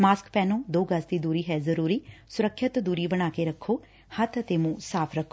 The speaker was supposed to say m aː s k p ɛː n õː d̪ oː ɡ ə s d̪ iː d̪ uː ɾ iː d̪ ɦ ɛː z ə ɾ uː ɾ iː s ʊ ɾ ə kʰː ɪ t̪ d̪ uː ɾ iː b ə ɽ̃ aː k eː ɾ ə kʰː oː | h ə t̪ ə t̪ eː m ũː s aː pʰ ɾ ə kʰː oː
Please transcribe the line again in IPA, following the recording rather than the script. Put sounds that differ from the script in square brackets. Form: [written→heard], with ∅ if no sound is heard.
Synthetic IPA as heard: m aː s k p ɛː n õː d̪ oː ɡ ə s d̪ iː d̪ uː ɾ iː [d̪→∅] ɦ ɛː z ə ɾ uː ɾ iː s ʊ ɾ ə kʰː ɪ t̪ d̪ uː ɾ iː b ə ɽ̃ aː k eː ɾ ə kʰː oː | h ə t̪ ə t̪ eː m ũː s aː pʰ ɾ ə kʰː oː